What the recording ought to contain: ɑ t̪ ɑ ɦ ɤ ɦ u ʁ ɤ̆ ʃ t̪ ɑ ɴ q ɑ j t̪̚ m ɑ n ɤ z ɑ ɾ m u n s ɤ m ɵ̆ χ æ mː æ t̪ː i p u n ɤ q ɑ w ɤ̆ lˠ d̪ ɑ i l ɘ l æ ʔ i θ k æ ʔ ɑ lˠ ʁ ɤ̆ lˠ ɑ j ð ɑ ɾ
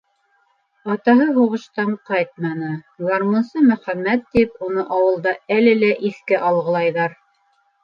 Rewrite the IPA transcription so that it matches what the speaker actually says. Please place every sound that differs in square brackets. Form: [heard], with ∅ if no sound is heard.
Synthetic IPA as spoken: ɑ t̪ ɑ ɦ ɤ ɦ u ʁ ɤ̆ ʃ t̪ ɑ ɴ q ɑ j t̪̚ m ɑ n ɤ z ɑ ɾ m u n s ɤ m ɵ̆ χ æ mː æ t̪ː i p u n ɤ [ʔ] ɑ w ɤ̆ lˠ d̪ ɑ [æ] l ɘ l æ ʔ i θ k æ ʔ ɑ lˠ ʁ ɤ̆ lˠ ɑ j ð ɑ ɾ